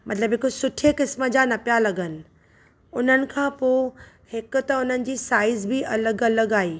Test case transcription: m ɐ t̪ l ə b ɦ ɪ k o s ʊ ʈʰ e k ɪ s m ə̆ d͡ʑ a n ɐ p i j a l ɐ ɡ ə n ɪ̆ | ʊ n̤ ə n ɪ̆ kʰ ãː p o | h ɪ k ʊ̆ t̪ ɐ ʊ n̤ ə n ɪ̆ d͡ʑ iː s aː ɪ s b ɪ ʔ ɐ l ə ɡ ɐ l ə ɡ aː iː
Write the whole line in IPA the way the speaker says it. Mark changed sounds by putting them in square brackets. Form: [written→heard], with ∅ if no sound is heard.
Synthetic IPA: m ɐ t̪ l ə b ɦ ɪ k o s ʊ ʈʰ e k ɪ s m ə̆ d͡ʑ a n ɐ p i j a l ɐ ɡ ə n ɪ̆ | ʊ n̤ ə n ɪ̆ kʰ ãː p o | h ɪ k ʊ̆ t̪ ɐ ʊ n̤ ə n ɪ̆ d͡ʑ iː s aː ɪ [s→z] b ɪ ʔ ɐ l ə ɡ ɐ l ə ɡ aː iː